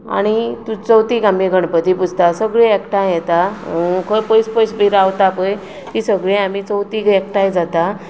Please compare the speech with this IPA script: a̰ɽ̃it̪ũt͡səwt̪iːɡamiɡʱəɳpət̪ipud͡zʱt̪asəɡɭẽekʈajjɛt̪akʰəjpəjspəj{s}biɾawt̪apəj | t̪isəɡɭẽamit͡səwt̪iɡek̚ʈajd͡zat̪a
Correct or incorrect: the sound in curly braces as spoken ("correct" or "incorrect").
correct